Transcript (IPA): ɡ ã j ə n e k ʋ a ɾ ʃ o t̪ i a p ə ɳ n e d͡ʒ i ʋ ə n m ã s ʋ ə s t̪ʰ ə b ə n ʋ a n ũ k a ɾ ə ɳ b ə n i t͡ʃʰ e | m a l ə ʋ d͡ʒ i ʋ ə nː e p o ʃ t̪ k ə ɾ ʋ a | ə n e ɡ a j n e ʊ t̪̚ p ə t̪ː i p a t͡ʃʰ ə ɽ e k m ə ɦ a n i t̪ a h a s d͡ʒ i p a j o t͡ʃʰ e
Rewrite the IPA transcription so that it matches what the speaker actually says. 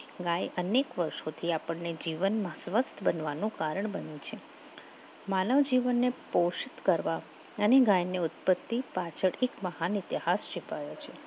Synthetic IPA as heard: ɡ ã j ə n e k ʋ ə ɾ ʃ o t̪ʰ i a p ə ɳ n e d͡ʒ i ʋ ə n m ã s ʋ ə s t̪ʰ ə b ə n ʋ a n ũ k a ɾ ə ɳ b ə n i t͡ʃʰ e | m a l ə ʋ d͡ʒ i ʋ ə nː e p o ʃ t̪ k ə ɾ ʋ a | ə n e ɡ a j n e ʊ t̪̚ p ə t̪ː i p a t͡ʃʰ ə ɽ e k m ə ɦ a n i t̪ i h a s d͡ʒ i p a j o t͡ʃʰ e